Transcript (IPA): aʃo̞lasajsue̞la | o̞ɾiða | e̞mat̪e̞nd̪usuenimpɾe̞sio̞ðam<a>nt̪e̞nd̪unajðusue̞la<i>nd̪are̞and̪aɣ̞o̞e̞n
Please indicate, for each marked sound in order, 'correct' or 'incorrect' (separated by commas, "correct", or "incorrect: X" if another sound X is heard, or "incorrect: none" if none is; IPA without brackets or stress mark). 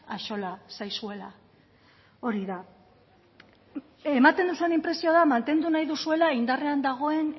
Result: correct, correct